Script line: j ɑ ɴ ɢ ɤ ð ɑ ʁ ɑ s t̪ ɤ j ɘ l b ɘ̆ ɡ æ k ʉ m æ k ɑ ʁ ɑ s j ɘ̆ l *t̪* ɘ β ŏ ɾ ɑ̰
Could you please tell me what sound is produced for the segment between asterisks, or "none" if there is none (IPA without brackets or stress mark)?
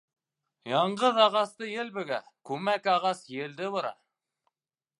d̪